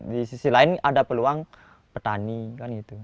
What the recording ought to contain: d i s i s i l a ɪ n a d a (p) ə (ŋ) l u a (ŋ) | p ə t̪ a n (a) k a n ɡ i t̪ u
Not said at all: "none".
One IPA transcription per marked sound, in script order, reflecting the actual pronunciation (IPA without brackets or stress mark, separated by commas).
p, none, ŋ, i